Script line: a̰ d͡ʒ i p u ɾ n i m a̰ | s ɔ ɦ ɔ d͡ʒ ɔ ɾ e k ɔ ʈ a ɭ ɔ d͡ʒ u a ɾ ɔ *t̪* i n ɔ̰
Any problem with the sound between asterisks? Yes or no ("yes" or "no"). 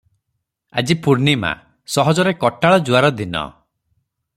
yes